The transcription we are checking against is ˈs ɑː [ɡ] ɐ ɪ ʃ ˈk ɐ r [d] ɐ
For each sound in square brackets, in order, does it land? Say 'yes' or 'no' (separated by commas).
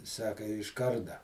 no, yes